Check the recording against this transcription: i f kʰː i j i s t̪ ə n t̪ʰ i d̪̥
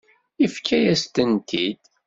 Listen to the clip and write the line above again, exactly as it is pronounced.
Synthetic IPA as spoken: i f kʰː æ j æ s t̪ ə n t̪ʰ i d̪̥